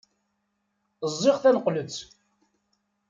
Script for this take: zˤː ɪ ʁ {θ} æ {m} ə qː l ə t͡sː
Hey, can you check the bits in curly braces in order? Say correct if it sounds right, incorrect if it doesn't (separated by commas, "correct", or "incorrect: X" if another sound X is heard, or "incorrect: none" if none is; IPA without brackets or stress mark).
correct, incorrect: n